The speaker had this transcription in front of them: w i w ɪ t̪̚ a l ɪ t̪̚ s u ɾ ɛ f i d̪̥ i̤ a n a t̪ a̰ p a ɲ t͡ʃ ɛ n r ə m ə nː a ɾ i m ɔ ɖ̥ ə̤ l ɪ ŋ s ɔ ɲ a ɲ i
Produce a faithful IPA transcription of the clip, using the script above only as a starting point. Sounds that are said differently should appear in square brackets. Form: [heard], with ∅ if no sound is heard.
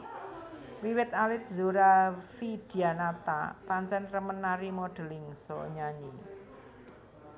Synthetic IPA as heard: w i w ɪ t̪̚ a l ɪ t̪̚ [z] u ɾ [a] f i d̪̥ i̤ a n a t̪ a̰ p a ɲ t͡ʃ ɛ n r ə m ə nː a ɾ i m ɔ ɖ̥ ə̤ l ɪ ŋ s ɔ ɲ a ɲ i